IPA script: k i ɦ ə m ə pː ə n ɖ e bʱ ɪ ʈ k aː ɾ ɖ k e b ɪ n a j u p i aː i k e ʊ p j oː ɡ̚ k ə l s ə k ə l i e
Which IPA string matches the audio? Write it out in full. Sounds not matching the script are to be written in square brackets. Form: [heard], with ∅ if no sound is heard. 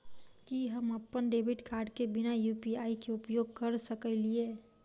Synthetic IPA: k i ɦ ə m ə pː ə n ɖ e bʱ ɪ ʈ k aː ɾ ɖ k e b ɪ n a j u p i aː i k e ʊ p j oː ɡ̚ k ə [ɾ] s ə k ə l i e